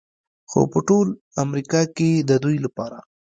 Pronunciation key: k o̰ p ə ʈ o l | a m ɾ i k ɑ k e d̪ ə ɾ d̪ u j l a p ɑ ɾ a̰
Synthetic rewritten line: x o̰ p ə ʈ o l | a m ɾ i k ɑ k e d̪ ə d̪ u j l a p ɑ ɾ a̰